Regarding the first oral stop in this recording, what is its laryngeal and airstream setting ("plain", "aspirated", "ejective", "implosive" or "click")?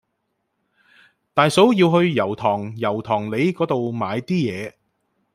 plain